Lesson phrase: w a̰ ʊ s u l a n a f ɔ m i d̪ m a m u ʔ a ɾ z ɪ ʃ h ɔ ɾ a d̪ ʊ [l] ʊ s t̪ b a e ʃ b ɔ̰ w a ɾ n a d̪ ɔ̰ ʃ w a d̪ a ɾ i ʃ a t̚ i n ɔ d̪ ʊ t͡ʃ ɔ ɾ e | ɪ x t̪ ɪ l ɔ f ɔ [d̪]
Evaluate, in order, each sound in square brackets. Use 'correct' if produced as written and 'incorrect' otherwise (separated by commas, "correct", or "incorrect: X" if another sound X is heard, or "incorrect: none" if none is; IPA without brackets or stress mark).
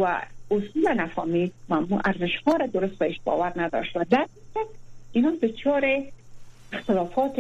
incorrect: ɾ, incorrect: t̪